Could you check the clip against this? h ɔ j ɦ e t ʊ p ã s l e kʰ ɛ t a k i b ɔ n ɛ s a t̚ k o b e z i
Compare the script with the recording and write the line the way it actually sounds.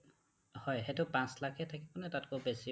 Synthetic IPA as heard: h ɔ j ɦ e t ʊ p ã s l a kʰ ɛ tʰ a k i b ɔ n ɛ t a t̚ k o b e s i

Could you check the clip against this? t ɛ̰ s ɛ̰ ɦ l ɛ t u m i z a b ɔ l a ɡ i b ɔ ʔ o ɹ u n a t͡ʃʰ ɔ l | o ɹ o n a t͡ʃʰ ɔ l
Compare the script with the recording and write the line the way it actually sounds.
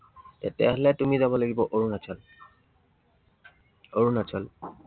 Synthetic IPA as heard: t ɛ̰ t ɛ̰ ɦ l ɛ t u m i z a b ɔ l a ɡ i b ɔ ʔ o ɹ u n a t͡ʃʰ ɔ l | o ɹ u n a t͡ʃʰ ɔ l

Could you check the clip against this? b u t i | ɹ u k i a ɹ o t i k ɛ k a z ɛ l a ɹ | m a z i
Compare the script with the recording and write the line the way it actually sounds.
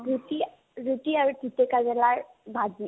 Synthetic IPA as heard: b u t i | ɹ u t i a ɹ u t i t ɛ k a z ɛ l a ɹ | b a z i

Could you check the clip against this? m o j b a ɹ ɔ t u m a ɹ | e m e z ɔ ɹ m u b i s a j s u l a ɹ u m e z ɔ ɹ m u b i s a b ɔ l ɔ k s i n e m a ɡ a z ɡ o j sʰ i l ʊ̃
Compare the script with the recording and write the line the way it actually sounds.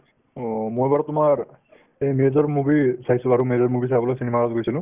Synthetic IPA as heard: m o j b a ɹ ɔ t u m a ɹ | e m e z ɔ ɹ m u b i s a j s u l a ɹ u m e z ɔ ɹ m u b i s a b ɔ l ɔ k s i n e m a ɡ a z ɡ o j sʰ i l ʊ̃

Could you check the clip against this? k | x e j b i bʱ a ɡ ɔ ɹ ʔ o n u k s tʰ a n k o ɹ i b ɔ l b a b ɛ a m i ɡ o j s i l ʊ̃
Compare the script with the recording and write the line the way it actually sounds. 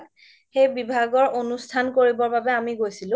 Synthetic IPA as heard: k | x e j b i bʱ a ɡ ɔ ɹ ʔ o n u s tʰ a n k o ɹ i b ɔ ɹ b a b ɛ a m i ɡ o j s i l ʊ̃

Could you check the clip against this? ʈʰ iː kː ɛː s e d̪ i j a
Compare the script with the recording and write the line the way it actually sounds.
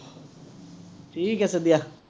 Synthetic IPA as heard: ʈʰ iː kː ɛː s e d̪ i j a

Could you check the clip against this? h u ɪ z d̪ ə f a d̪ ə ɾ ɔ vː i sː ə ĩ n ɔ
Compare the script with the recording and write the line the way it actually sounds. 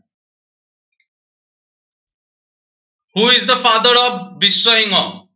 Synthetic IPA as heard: h u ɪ z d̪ ə f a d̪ ə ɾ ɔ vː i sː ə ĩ ŋ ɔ

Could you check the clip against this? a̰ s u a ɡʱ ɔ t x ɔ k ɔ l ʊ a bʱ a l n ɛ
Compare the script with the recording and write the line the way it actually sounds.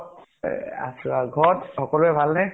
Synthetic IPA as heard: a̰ s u a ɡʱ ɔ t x ɔ k ɔ l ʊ ɛ bʱ a l n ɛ

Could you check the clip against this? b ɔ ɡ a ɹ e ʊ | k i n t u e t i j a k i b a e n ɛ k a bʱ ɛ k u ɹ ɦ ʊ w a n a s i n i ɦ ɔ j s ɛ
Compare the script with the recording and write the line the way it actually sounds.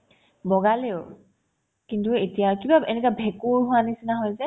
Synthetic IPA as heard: b ɔ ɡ a l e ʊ | k i n t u e t i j a k i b a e n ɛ k a bʱ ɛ k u ɹ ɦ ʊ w a n i s i n a ɦ ɔ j z ɛ

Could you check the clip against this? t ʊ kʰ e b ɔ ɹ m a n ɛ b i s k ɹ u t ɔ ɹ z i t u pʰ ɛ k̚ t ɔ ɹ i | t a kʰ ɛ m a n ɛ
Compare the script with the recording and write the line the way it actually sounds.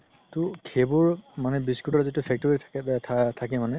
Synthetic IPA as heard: t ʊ kʰ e b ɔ ɹ m a n ɛ b i s k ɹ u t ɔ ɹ z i t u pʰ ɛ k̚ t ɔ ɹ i | tʰ a k ɛ m a n ɛ

